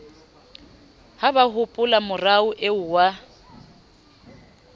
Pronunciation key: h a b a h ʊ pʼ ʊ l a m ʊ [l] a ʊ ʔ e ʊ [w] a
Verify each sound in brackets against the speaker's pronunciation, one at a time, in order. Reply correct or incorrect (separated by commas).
incorrect, correct